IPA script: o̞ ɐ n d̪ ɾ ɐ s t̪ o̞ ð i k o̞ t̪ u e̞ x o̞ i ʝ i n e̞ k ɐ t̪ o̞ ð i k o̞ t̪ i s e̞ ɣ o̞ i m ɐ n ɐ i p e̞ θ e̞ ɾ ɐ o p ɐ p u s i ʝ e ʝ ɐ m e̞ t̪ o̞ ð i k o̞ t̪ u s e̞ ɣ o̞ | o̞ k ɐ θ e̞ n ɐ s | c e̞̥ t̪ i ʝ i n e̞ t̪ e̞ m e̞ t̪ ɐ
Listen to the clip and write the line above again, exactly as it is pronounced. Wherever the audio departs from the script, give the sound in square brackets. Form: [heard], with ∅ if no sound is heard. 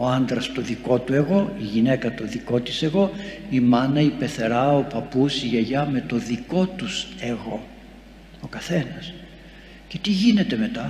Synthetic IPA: o̞ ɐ n d̪ ɾ ɐ s t̪ o̞ ð i k o̞ t̪ u e̞ [ɣ] o̞ i ʝ i n e̞ k ɐ t̪ o̞ ð i k o̞ t̪ i s e̞ ɣ o̞ i m ɐ n ɐ i p e̞ θ e̞ ɾ ɐ o p ɐ p u s i ʝ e ʝ ɐ m e̞ t̪ o̞ ð i k o̞ t̪ u s e̞ ɣ o̞ | o̞ k ɐ θ e̞ n ɐ s | c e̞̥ t̪ i ʝ i n e̞ t̪ e̞ m e̞ t̪ ɐ